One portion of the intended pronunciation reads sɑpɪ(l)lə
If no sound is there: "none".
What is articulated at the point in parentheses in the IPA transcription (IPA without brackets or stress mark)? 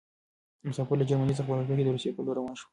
ɾ